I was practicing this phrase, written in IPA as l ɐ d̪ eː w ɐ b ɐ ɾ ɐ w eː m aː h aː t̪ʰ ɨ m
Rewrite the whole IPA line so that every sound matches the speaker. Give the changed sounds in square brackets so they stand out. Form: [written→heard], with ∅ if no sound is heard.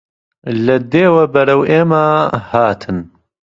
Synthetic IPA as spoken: l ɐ d̪ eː w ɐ b ɐ ɾ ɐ w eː m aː h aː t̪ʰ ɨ [m→n]